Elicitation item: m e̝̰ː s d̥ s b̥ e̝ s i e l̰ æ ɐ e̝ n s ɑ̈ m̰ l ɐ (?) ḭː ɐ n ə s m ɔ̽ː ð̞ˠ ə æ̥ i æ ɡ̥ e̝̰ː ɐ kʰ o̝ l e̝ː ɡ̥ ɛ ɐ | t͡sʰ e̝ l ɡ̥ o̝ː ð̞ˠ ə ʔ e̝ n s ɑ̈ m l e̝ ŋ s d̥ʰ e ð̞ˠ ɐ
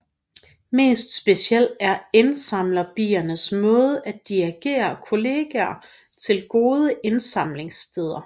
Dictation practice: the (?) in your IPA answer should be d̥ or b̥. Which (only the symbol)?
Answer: b̥